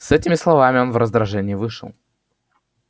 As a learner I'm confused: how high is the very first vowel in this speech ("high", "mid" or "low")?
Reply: mid